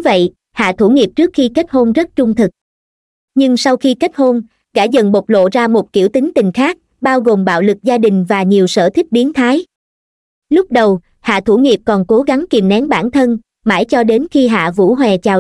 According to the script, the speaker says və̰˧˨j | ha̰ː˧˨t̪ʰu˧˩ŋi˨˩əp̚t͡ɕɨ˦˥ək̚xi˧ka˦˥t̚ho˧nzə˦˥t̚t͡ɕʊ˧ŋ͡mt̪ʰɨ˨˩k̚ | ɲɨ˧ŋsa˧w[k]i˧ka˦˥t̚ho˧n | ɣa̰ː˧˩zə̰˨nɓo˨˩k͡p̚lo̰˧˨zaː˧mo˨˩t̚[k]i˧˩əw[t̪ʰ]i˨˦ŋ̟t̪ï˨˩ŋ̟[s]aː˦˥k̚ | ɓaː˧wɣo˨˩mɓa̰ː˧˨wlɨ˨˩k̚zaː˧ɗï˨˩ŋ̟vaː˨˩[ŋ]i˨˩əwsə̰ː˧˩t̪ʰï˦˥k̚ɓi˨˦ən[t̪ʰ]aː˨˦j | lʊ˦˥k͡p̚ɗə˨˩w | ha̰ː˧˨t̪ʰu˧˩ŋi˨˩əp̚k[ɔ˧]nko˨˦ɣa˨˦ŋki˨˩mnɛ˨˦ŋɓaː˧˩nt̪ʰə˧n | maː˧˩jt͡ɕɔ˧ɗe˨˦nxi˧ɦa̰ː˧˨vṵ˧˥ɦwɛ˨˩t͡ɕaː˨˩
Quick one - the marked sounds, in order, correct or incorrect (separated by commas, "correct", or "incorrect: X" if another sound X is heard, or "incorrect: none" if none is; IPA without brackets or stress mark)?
incorrect: x, correct, incorrect: t̪, incorrect: x, incorrect: ɲ, correct, incorrect: ɔ˨˩